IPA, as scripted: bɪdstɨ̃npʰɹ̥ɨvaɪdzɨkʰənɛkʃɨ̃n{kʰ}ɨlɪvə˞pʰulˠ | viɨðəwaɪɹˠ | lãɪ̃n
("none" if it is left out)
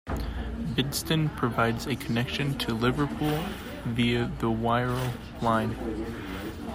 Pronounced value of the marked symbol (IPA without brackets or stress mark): tʰ